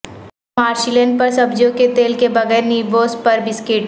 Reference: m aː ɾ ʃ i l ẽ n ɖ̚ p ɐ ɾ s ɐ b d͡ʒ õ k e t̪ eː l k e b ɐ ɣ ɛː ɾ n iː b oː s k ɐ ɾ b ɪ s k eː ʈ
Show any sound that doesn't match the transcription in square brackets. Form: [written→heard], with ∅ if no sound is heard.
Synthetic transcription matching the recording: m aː ɾ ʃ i l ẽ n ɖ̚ p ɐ ɾ s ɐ b d͡ʒ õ k e t̪ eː l k e b ɐ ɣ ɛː ɾ n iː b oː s [k→p] ɐ ɾ b ɪ s k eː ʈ

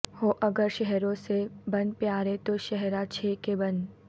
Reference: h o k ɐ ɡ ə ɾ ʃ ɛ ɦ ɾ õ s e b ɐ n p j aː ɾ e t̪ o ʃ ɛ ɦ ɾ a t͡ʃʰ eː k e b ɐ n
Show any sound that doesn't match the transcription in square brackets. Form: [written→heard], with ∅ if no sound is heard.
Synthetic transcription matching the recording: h o [k→ʔ] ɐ ɡ ə ɾ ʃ ɛ ɦ ɾ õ s e b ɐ n p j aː ɾ e t̪ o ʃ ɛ ɦ ɾ a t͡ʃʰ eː k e b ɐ n

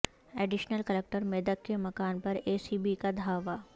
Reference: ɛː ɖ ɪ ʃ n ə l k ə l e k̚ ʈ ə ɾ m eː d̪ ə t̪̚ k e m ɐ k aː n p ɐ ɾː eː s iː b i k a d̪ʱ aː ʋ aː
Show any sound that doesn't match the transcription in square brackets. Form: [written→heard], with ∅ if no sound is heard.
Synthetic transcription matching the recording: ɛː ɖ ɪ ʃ n ə l k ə l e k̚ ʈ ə ɾ m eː d̪ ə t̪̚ k e m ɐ k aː n p ɐ [ɾː→ɾ] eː s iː b i k a d̪ʱ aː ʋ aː

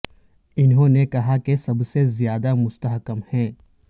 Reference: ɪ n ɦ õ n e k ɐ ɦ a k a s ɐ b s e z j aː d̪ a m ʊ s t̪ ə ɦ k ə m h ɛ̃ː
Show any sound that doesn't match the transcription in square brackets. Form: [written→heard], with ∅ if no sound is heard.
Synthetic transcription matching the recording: ɪ n ɦ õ n e k ɐ ɦ a k [a→e] s ɐ b s e z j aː d̪ a m ʊ s t̪ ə ɦ k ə m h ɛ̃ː

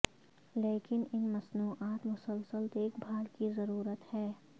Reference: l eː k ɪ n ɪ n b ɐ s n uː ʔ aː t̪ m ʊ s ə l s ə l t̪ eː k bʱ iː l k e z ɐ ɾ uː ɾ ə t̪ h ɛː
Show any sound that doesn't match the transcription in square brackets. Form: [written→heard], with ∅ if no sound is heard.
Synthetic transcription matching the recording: l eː k ɪ n ɪ n [b→m] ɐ s n uː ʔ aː t̪ m ʊ s ə l s ə l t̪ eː k bʱ [iː→aː] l k [e→i] z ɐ ɾ uː ɾ ə t̪ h ɛː

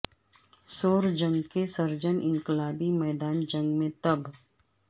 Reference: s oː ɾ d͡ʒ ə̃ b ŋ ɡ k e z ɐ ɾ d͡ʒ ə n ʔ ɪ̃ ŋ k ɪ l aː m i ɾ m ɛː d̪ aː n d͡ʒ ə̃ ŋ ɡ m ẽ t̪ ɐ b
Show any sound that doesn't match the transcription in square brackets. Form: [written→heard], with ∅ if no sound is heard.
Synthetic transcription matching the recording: s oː ɾ d͡ʒ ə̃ [b→∅] ŋ ɡ k e [z→s] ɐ ɾ d͡ʒ ə n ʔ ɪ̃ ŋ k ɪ l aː [m→b] i [ɾ→∅] m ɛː d̪ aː n d͡ʒ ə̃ ŋ ɡ m ẽ t̪ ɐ b

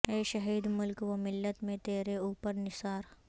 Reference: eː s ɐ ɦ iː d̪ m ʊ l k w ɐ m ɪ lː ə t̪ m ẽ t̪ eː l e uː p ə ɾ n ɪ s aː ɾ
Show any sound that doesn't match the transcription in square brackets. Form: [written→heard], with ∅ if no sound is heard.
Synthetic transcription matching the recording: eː [s→ʃ] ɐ ɦ iː d̪ m ʊ l k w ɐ m ɪ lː ə t̪ m ẽ t̪ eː [l→ɾ] e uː p ə ɾ n ɪ s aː ɾ

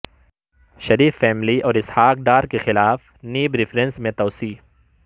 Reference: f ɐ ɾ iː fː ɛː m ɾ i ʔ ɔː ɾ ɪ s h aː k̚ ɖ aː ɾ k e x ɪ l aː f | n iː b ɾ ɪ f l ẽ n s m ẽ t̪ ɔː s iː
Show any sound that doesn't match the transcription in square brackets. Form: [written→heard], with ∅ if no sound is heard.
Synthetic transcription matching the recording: [f→ʃ] ɐ ɾ iː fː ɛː m [ɾ→l] i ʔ ɔː ɾ ɪ s h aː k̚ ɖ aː ɾ k e x ɪ l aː f | n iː b ɾ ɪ f [l→ɾ] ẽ n s m ẽ t̪ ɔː s iː

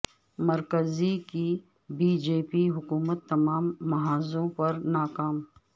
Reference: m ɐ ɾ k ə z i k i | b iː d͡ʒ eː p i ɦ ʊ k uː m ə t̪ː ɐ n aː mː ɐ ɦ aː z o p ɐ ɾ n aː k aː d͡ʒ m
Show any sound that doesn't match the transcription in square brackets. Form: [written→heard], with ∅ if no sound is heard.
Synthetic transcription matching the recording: m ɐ ɾ k ə z i k i | b iː d͡ʒ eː p i ɦ ʊ k uː m ə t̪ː ɐ [n→m] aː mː ɐ ɦ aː z [o→õ] p ɐ ɾ n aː k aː [d͡ʒ→∅] m

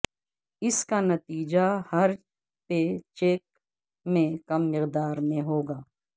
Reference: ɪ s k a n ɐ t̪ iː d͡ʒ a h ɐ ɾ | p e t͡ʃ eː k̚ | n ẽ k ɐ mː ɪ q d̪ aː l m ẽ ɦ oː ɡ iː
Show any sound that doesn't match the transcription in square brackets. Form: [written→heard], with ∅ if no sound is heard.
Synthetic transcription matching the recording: ɪ s k a n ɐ t̪ iː d͡ʒ a h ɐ ɾ | p e t͡ʃ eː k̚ | [n→m] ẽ k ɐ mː ɪ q d̪ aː [l→ɾ] m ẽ ɦ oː ɡ [iː→aː]

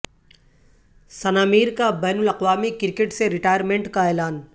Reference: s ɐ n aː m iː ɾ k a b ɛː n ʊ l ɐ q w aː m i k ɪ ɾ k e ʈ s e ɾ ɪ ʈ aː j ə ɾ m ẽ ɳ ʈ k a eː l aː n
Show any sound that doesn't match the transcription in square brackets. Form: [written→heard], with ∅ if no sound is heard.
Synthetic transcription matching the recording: s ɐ n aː m iː ɾ k a b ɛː n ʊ l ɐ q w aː m i k ɪ ɾ k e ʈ s e ɾ ɪ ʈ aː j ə ɾ m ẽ ɳ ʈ k a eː l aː n

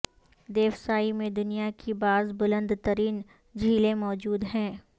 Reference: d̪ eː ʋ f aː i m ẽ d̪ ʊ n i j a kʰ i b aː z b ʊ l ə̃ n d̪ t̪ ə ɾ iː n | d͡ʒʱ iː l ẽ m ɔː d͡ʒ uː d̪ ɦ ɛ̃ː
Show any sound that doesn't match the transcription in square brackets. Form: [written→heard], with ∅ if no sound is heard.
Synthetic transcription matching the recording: d̪ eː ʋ [f→s] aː i m ẽ d̪ ʊ n i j a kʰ i b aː z b ʊ l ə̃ n d̪ t̪ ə ɾ iː n | d͡ʒʱ iː l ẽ m ɔː d͡ʒ uː d̪ ɦ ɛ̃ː

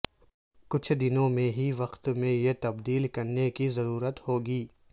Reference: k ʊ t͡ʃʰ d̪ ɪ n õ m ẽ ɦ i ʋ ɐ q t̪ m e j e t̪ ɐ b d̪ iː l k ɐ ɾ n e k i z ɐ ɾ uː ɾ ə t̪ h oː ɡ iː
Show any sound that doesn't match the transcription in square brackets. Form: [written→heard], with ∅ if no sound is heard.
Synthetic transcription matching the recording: k ʊ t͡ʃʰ d̪ ɪ n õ m ẽ ɦ i ʋ ɐ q t̪ m [e→ẽ] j e t̪ ɐ b d̪ iː l k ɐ ɾ n e k i z ɐ ɾ uː ɾ ə t̪ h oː ɡ iː

